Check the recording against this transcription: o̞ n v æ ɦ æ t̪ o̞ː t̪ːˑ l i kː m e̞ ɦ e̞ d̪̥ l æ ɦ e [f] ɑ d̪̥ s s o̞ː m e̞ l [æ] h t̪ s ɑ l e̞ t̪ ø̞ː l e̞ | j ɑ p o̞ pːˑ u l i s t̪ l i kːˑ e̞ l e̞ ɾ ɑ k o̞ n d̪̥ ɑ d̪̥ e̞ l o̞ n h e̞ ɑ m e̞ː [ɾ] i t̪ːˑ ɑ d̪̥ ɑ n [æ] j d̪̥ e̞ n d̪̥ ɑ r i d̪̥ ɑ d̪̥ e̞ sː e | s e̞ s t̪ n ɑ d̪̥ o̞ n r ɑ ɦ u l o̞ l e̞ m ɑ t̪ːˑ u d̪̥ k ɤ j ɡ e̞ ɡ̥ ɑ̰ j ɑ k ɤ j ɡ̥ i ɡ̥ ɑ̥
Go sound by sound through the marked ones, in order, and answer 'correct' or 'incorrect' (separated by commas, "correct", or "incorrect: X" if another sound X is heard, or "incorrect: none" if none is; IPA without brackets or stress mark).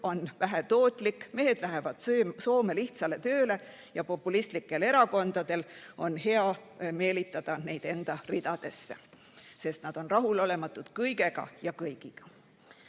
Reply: incorrect: v, incorrect: i, incorrect: l, incorrect: e